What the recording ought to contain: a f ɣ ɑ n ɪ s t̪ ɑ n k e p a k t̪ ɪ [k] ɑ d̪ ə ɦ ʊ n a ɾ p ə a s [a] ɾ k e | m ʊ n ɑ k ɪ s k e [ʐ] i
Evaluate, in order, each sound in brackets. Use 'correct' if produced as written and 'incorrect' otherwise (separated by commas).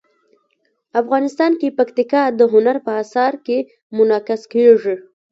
correct, incorrect, correct